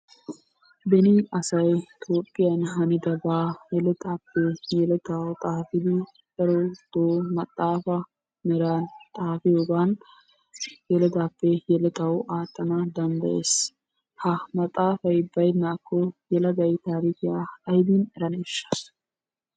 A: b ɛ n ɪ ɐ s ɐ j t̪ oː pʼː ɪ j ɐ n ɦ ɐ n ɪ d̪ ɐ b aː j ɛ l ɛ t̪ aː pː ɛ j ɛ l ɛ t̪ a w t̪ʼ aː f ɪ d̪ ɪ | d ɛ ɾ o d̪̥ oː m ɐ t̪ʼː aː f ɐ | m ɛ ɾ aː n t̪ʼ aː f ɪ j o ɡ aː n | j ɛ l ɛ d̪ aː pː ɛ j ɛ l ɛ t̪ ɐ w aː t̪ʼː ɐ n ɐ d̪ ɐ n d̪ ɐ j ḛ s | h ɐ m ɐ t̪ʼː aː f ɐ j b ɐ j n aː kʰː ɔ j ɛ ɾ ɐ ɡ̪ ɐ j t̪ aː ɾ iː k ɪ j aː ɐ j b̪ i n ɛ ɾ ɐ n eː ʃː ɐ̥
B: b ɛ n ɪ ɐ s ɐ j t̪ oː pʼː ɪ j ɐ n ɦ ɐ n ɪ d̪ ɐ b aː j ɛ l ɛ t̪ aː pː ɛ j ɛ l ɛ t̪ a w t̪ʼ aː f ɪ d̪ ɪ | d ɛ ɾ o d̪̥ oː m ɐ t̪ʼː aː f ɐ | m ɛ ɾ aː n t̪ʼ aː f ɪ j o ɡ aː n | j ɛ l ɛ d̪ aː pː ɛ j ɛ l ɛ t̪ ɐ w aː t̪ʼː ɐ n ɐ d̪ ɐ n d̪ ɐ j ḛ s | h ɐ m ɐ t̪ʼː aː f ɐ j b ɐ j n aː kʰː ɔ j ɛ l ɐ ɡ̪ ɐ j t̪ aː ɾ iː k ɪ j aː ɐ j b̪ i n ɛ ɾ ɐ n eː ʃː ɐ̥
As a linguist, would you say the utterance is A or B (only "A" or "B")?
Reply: B